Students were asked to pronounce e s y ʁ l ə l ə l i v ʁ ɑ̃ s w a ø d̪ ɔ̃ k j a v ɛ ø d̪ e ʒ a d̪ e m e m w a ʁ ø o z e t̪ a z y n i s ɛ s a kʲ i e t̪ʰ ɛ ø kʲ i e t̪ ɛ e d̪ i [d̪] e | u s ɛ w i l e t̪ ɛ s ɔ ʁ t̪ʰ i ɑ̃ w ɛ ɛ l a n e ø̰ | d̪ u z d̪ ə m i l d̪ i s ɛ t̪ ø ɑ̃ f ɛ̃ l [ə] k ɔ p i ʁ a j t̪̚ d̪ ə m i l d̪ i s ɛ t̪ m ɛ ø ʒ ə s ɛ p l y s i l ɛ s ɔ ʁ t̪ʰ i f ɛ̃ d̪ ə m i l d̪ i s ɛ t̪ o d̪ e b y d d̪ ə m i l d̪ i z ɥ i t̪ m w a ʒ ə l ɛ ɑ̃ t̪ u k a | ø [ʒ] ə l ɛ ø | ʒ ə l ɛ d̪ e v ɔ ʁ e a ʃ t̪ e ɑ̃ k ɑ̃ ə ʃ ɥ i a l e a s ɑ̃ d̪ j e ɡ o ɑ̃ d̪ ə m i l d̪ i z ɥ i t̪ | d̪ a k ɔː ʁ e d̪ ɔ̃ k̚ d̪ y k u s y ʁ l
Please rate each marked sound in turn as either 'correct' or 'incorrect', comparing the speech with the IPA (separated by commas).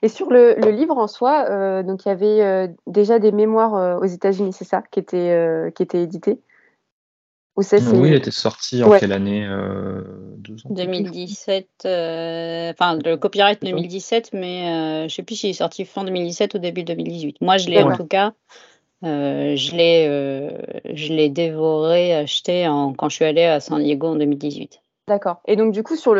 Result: incorrect, correct, correct